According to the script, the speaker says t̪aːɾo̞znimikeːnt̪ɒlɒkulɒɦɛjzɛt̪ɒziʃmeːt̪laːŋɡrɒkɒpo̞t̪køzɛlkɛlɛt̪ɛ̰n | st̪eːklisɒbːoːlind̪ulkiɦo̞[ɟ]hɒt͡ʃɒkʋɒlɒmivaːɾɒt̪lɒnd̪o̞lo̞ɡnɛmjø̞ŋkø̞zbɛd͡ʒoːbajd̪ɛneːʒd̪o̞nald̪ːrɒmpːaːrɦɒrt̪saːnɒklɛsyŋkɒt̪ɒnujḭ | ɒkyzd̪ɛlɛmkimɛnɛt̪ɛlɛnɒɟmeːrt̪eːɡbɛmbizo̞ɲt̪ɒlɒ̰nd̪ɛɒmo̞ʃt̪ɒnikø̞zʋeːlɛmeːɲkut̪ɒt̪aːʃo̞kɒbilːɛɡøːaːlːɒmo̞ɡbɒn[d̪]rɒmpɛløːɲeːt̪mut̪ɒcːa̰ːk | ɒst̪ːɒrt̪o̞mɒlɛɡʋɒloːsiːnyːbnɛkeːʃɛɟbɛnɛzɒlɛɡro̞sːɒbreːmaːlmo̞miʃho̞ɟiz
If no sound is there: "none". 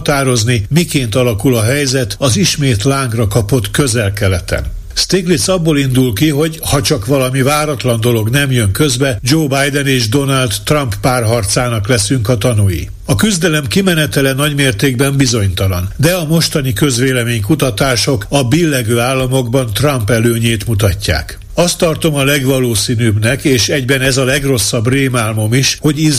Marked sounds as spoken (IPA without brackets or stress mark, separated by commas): ɟ, t̪